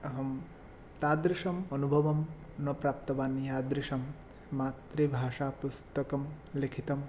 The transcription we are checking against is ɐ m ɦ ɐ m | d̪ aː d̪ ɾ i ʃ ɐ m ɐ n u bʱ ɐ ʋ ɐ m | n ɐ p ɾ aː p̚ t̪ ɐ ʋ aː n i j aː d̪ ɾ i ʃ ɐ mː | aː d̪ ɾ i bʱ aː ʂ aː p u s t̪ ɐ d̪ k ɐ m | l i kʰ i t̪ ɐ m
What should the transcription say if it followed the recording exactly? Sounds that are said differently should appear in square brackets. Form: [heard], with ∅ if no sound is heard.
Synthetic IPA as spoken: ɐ [∅] ɦ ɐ m | [t̪] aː d̪ ɾ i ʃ ɐ m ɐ n u bʱ ɐ ʋ ɐ m | n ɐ p ɾ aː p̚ t̪ ɐ ʋ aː n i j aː d̪ ɾ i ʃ ɐ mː | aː [t̪] ɾ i bʱ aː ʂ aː p u s t̪ ɐ [∅] k ɐ m | l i kʰ i t̪ ɐ m